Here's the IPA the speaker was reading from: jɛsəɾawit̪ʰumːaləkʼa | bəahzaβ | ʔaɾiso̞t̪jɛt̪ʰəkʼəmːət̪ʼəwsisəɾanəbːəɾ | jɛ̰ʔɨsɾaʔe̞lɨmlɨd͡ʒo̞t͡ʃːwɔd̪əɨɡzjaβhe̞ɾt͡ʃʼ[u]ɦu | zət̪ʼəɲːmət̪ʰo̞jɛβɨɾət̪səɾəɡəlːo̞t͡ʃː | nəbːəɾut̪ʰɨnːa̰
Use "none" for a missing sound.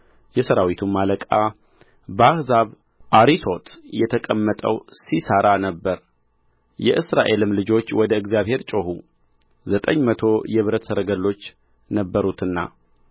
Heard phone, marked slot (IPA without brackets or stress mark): o